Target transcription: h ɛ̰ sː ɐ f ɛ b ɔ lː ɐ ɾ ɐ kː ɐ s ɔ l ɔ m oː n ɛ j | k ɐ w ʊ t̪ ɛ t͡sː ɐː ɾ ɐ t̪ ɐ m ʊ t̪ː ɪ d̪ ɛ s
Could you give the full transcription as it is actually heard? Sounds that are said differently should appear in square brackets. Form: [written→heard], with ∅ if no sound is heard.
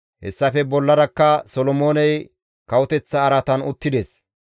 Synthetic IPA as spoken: h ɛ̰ sː ɐ f ɛ b ɔ lː ɐ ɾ ɐ kː ɐ s ɔ l ɔ m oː n ɛ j | k ɐ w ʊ t̪ ɛ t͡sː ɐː ɾ ɐ t̪ ɐ [m→n] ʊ t̪ː ɪ d̪ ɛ s